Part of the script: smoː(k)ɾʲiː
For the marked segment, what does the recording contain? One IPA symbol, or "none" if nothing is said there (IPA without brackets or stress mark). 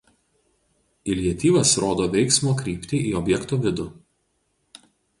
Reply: k